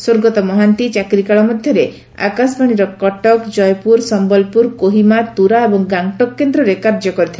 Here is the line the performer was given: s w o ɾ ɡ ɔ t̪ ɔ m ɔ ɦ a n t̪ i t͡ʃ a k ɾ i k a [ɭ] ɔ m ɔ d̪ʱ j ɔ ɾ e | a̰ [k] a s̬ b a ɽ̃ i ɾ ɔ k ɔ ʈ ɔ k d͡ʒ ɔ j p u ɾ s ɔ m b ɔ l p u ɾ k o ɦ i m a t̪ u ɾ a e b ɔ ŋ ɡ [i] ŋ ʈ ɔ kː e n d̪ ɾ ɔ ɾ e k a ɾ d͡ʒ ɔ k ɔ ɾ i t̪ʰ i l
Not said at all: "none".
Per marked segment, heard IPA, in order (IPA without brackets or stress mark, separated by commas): ɭ, k, a